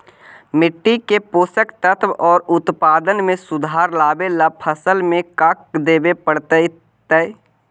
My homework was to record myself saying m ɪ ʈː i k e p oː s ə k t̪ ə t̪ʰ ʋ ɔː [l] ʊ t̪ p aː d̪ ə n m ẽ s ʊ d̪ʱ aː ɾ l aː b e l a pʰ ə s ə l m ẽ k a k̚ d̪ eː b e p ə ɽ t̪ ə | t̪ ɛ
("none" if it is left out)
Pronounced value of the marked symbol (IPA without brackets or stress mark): ɾ